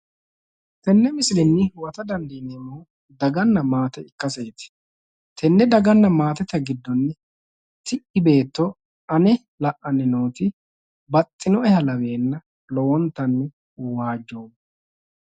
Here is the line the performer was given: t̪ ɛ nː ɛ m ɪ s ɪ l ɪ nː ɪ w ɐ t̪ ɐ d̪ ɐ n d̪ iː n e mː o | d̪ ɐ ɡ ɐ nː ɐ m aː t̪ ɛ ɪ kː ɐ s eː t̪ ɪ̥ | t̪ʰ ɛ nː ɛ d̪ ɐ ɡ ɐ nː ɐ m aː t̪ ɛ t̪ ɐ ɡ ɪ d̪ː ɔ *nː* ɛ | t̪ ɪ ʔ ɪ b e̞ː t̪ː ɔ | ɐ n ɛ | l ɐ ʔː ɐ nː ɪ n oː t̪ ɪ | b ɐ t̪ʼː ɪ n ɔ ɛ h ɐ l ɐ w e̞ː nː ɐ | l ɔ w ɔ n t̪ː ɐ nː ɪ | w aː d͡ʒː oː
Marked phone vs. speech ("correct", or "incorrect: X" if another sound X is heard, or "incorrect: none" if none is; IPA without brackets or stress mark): correct